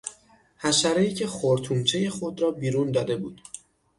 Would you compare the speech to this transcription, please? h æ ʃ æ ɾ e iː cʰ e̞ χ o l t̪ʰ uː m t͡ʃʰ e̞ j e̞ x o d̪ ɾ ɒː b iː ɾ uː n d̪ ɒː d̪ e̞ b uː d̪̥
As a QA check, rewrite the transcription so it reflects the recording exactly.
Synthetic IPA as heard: h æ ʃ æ ɾ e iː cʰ e̞ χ o ɾ t̪ʰ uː m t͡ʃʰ e̞ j e̞ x o d̪ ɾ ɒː b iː ɾ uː n d̪ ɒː d̪ e̞ b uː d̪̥

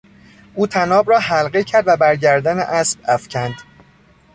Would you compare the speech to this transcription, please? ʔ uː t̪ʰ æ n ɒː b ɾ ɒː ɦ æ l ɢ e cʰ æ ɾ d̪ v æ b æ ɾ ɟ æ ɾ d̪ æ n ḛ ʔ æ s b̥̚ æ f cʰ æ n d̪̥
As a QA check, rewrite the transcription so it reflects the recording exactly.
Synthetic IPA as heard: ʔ uː t̪ʰ æ n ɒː b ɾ ɒː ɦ æ l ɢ e cʰ æ ɾ d̪ v æ b æ ɾ ɟ æ ɾ d̪ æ n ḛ ʔ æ s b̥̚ æ f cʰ æ n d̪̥

